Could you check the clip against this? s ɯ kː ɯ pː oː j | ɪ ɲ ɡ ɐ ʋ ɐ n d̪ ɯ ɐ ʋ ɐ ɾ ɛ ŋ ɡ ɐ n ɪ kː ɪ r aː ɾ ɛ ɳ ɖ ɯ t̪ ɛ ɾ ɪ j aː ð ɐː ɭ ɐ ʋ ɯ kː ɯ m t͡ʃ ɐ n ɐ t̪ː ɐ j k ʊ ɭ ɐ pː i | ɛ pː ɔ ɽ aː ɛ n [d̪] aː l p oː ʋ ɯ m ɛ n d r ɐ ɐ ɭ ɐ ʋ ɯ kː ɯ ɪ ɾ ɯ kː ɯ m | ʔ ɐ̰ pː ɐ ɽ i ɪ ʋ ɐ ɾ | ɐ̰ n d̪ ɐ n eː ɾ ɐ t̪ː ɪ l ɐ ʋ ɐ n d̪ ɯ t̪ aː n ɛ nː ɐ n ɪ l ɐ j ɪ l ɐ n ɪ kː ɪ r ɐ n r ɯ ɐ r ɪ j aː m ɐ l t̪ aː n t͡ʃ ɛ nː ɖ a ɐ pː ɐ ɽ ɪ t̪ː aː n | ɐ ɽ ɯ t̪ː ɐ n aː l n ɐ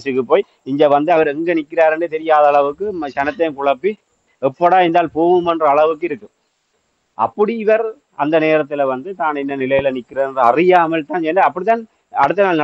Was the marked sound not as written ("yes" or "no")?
no